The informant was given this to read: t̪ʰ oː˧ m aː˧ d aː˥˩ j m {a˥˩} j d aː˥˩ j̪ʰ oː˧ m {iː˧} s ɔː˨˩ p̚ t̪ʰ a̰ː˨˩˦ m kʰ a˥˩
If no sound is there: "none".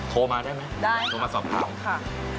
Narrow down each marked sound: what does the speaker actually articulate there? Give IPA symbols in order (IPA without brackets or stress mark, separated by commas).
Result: a˦˥, aː˧